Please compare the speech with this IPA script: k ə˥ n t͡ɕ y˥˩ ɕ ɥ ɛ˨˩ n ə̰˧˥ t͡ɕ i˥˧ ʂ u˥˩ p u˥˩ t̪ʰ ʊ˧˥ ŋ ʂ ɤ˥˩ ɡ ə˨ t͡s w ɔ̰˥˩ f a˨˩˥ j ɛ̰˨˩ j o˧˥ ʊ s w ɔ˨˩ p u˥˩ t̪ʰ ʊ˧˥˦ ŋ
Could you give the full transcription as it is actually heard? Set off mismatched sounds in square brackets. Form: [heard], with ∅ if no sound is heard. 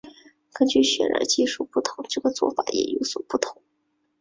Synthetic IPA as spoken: k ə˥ n t͡ɕ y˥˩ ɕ ɥ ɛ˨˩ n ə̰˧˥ t͡ɕ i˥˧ ʂ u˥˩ p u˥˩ t̪ʰ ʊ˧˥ ŋ [ʈ͡ʂ] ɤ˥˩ ɡ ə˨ t͡s w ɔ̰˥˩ f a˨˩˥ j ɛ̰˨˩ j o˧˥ ʊ s w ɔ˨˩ p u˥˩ t̪ʰ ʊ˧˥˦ ŋ